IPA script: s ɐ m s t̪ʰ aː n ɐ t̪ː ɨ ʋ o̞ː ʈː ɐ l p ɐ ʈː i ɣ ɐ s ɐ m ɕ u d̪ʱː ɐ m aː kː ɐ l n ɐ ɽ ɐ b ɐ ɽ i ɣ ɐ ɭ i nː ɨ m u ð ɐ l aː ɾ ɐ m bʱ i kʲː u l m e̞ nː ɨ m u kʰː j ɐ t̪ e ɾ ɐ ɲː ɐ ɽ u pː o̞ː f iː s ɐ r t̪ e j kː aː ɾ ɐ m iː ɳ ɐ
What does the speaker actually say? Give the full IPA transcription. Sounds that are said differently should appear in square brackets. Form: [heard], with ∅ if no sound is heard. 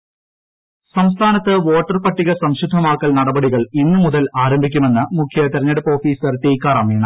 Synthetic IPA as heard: s ɐ m s t̪ʰ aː n ɐ t̪ː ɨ ʋ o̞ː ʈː ɐ [r] p ɐ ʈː i ɣ ɐ s ɐ m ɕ u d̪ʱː ɐ m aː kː ɐ l n ɐ ɽ ɐ b ɐ ɽ i ɣ ɐ ɭ i nː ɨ m u ð ɐ l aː ɾ ɐ m bʱ i kʲː u [∅] m e̞ nː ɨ m u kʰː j ɐ t̪ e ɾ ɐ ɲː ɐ ɽ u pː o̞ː f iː s ɐ r t̪ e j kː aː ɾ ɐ m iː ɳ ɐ